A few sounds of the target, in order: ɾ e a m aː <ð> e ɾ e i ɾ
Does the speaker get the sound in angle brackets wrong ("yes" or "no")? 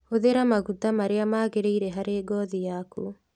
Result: yes